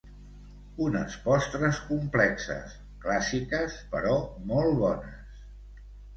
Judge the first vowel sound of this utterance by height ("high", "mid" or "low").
high